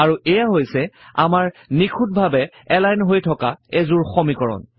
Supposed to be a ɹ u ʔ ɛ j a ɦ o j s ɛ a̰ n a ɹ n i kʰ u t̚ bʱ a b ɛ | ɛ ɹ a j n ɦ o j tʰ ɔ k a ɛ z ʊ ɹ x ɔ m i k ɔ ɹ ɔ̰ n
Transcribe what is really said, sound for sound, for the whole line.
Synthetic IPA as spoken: a ɹ u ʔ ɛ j a ɦ o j s ɛ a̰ m a ɹ n i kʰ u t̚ bʱ a b ɛ | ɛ l a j n ɦ o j tʰ ɔ k a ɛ z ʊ ɹ x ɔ m i k ɔ ɹ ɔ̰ n

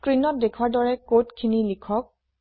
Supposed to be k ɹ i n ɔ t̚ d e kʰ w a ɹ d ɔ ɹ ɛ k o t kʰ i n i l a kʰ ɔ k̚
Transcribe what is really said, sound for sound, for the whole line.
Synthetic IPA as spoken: k ɹ i n ɔ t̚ d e kʰ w a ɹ d ɔ ɹ ɛ k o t kʰ i n i l i kʰ ɔ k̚

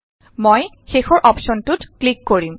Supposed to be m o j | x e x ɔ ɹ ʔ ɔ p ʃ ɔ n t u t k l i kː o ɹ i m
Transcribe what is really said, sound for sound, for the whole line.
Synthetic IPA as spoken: m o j | x e x ɔ ɹ ʔ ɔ p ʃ ɔ n t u t k l i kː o ɹ i m

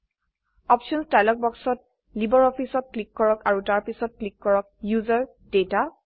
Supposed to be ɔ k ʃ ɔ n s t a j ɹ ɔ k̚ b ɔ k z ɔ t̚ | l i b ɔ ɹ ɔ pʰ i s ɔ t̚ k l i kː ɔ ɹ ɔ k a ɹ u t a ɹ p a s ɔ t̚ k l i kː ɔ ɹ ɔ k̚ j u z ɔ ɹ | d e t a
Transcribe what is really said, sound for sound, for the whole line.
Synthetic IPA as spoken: ɔ p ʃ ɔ n s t a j l ɔ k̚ b ɔ k s ɔ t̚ | l i b ɔ ɹ ɔ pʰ i s ɔ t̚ k l i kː ɔ ɹ ɔ k a ɹ u t a ɹ p i s ɔ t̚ k l i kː ɔ ɹ ɔ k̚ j u z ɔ ɹ | d e t a

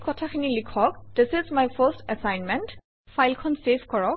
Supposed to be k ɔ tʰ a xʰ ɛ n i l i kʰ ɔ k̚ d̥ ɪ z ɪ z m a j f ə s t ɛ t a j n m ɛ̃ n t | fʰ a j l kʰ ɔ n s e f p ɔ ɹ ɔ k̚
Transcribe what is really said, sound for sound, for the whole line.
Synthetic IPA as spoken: k ɔ tʰ a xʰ i n i l i kʰ ɔ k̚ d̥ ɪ s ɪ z m a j f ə s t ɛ s a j n m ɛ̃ n t | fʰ a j l kʰ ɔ n s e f k ɔ ɹ ɔ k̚

